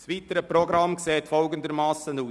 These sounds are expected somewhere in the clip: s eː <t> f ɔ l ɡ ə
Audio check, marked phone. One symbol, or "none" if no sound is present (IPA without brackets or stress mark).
t